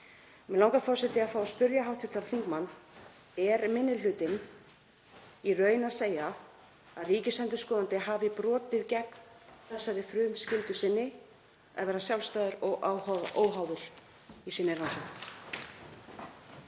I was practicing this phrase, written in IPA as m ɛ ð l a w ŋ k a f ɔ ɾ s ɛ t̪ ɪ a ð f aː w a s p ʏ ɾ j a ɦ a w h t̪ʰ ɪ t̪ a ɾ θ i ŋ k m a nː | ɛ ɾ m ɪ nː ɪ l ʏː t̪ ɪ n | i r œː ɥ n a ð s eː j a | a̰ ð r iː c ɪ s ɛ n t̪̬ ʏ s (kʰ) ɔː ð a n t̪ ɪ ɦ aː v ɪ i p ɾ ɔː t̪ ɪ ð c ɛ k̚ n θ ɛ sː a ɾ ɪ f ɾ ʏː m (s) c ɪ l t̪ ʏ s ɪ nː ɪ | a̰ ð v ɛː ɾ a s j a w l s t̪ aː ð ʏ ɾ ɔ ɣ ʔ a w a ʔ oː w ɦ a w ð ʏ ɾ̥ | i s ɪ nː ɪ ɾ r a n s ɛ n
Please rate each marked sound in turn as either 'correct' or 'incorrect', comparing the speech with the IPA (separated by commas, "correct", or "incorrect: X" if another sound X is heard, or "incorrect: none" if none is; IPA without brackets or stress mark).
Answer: incorrect: k, correct